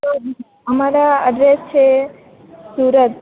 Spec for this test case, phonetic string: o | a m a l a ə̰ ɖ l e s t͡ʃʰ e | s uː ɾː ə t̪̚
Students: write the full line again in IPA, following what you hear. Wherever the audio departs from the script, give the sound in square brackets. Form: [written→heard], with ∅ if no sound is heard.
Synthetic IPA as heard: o | [a→ə] m a [l→ɾ] a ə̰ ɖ [l→ɾ] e s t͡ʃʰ e | s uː [ɾː→ɾ] ə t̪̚